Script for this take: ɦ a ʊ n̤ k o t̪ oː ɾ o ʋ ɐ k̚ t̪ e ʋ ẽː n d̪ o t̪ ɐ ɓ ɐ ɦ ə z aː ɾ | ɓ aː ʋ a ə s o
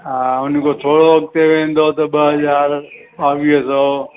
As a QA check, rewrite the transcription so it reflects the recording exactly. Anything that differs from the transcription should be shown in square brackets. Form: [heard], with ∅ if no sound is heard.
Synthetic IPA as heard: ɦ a ʊ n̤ k o [t̪ʰ] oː [ɽ] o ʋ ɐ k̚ t̪ e ʋ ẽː n d̪ o t̪ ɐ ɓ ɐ ɦ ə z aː ɾ | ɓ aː ʋ [i] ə s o